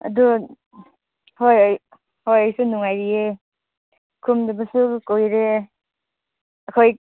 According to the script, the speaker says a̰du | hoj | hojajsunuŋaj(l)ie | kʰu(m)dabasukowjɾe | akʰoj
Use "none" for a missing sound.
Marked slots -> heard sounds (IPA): ɾ, m

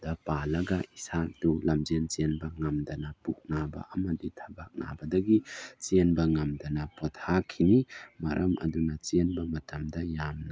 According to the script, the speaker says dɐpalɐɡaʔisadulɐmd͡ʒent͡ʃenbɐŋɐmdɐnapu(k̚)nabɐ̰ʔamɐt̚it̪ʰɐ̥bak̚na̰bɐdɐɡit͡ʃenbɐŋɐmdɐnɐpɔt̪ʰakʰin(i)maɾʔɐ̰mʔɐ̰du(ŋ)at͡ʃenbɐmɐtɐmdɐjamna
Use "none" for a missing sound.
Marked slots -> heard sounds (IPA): k̚, i, n

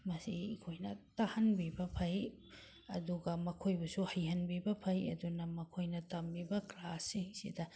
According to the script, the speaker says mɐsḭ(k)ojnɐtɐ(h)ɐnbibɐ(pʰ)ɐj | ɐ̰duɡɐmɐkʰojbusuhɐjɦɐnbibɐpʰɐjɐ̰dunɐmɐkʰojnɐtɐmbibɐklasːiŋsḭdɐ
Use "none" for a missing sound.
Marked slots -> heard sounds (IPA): kʰ, h, pʰ

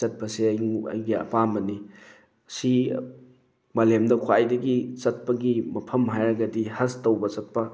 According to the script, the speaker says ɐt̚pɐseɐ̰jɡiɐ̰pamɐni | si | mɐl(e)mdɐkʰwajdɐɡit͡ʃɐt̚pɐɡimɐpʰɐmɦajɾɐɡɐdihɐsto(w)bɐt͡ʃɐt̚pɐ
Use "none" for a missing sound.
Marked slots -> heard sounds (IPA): e, w

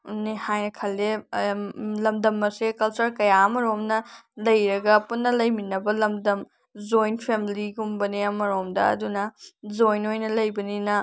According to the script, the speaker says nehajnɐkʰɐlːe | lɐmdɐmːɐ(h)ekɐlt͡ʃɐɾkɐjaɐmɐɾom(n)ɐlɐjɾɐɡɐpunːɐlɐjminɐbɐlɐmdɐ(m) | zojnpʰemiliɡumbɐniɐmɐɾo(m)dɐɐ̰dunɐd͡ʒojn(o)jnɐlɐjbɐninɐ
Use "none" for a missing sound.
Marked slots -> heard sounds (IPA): s, n, m, m, o

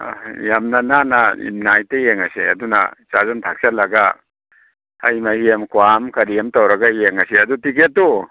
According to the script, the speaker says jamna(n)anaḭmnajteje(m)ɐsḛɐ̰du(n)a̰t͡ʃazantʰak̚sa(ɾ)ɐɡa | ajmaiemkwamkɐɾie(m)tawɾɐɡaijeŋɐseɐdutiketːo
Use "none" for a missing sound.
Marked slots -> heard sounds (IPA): n, ŋ, n, l, m

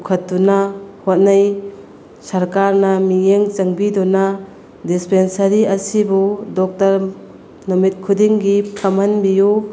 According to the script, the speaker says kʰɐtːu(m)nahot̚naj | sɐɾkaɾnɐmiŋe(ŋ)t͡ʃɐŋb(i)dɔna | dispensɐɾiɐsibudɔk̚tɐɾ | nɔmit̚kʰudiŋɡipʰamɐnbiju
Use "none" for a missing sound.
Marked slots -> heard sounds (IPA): none, ŋ, i

